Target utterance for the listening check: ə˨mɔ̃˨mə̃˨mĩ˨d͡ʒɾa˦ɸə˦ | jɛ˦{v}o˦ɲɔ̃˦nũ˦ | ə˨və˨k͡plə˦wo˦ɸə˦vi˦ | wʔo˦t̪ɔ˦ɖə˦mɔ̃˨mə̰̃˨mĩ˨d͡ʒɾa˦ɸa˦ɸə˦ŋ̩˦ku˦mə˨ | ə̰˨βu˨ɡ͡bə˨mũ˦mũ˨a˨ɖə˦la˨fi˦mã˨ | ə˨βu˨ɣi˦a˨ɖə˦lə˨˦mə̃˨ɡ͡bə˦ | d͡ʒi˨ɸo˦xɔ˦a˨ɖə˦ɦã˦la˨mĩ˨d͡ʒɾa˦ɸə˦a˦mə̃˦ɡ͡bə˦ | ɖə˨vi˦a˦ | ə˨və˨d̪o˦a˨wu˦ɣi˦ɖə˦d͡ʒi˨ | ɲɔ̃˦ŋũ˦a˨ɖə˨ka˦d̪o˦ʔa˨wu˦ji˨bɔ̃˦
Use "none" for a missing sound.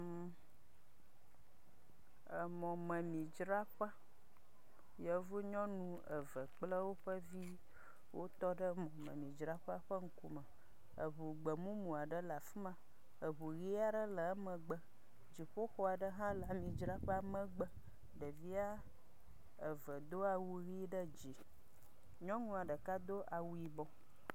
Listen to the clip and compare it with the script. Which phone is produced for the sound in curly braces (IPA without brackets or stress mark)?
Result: v